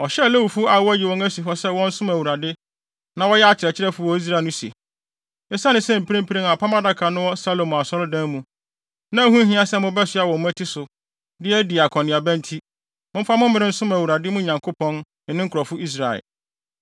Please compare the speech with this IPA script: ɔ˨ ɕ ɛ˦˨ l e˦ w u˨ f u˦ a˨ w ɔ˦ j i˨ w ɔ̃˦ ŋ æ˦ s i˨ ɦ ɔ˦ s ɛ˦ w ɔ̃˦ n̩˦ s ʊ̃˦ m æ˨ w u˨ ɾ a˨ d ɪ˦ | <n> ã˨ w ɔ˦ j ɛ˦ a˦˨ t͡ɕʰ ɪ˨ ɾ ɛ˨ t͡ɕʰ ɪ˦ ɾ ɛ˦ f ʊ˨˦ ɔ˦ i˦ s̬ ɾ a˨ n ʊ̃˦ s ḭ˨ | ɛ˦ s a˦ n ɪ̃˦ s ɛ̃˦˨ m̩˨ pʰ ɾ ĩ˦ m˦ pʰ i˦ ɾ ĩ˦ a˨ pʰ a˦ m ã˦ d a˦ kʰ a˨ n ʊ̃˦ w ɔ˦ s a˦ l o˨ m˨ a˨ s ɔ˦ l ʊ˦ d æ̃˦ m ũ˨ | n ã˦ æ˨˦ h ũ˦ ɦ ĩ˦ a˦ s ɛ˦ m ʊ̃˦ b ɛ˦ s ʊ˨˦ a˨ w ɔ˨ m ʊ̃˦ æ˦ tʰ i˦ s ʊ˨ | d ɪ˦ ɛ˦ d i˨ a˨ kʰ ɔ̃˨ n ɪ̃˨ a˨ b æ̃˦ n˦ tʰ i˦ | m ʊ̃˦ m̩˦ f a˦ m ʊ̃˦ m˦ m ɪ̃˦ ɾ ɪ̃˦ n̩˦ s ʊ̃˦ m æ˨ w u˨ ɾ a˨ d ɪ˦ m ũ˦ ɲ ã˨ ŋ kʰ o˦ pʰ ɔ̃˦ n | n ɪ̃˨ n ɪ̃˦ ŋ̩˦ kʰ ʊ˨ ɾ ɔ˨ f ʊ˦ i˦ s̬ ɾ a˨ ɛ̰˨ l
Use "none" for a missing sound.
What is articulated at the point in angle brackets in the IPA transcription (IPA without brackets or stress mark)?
n